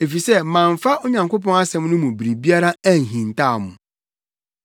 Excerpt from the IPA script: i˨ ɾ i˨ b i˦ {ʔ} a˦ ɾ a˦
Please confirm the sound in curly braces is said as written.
no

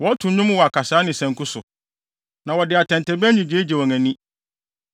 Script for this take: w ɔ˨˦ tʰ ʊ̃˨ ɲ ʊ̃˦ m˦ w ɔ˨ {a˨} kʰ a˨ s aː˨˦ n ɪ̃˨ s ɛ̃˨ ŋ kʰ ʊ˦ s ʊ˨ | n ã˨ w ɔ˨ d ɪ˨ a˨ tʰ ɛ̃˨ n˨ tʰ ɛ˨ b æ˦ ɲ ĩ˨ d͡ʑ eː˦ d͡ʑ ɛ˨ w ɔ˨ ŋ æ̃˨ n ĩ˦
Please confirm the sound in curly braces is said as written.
yes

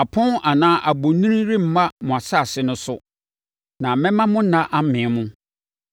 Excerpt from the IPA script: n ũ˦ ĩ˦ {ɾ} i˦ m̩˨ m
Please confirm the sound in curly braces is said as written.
yes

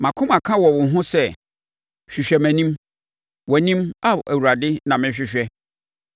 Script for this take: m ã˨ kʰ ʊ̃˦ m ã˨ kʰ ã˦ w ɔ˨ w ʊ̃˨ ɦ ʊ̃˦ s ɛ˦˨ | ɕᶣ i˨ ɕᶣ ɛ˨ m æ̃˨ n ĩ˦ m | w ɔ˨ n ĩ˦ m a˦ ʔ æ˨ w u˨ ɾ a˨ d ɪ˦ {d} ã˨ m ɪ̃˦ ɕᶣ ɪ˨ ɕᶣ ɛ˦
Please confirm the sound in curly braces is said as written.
no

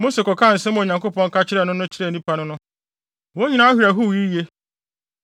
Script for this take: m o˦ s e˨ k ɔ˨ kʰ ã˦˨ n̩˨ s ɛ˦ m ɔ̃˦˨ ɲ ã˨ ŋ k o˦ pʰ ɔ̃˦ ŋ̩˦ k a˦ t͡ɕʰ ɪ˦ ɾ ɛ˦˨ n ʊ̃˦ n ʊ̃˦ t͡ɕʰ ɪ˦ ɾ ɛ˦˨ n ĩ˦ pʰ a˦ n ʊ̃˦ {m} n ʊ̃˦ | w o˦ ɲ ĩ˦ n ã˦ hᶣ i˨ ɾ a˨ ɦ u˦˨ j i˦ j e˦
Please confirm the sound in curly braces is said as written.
no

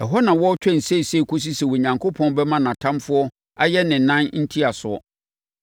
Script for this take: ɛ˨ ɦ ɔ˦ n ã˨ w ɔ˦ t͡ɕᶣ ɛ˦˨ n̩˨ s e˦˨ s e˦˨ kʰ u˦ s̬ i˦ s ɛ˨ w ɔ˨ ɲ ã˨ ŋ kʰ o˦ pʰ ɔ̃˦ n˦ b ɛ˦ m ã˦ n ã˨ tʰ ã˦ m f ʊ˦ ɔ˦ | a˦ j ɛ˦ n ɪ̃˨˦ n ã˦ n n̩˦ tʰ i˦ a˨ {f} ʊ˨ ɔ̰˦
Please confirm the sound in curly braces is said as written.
no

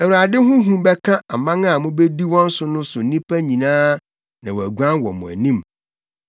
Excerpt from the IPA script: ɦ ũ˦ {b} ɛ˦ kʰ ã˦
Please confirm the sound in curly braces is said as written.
yes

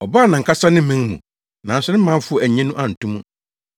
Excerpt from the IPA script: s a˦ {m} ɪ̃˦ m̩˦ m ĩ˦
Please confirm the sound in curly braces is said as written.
no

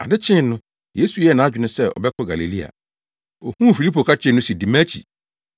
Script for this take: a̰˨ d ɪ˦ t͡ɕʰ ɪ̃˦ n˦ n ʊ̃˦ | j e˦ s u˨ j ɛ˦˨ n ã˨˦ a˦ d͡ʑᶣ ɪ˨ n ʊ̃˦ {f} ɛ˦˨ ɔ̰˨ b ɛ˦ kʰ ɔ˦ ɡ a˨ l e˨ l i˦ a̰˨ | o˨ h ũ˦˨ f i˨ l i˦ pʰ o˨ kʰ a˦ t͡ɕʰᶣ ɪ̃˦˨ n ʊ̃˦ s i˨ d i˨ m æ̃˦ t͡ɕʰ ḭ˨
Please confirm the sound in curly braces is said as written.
no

